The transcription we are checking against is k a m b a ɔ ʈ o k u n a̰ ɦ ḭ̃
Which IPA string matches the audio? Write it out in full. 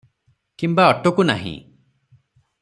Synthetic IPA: k i m b a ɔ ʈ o k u n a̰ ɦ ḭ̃